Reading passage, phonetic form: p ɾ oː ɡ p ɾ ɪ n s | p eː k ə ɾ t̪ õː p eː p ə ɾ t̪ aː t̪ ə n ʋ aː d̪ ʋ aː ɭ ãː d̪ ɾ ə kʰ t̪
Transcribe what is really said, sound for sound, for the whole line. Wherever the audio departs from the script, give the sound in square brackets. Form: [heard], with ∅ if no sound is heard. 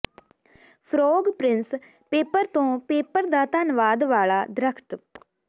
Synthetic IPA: [pʰ] ɾ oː ɡ p ɾ ɪ n s | p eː [p] ə ɾ t̪ õː p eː p ə ɾ [d̪] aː t̪ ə n ʋ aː d̪ ʋ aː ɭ [aː] d̪ ɾ ə kʰ t̪